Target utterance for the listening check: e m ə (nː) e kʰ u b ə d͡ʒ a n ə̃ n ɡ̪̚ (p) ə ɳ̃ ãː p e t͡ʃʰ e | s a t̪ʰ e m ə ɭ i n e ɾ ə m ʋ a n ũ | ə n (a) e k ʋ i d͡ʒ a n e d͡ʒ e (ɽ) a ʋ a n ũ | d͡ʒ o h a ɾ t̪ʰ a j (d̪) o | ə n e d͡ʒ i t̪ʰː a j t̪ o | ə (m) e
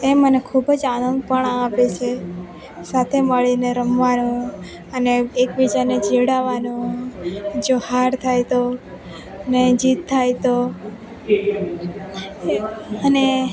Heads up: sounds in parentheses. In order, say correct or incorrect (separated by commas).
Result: incorrect, correct, incorrect, correct, incorrect, incorrect